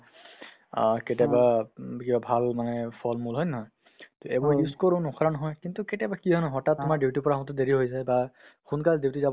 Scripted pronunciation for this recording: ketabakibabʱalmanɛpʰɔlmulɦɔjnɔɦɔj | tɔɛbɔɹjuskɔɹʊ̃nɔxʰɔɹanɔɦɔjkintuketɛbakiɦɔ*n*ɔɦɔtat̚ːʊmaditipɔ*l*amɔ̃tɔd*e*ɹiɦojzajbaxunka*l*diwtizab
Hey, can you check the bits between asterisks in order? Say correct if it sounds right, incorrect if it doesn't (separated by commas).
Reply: correct, incorrect, correct, correct